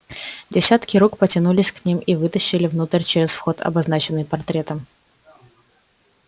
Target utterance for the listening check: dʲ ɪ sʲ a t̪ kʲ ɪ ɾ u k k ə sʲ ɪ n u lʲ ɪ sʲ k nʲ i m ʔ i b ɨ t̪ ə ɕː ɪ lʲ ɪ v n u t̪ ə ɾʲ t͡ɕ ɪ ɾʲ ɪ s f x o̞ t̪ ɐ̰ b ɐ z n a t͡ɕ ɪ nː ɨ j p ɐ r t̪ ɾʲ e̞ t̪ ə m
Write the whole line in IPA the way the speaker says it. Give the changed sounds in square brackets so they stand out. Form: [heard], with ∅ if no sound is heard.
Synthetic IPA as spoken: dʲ ɪ sʲ a t̪ kʲ ɪ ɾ u k [p] ə [tʲ] ɪ n u lʲ ɪ sʲ k nʲ i m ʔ i [v] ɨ t̪ ə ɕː ɪ lʲ ɪ v n u t̪ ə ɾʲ t͡ɕ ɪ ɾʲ ɪ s f x o̞ t̪ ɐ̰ b ɐ z n a t͡ɕ ɪ nː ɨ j p ɐ r t̪ ɾʲ e̞ t̪ ə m